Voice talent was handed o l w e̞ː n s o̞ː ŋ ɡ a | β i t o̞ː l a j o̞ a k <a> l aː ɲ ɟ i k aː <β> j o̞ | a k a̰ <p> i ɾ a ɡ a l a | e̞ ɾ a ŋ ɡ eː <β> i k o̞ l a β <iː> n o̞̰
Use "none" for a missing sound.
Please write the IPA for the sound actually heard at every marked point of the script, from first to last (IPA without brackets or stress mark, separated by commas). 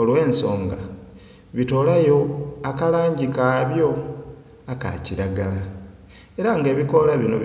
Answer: a, β, c, β, i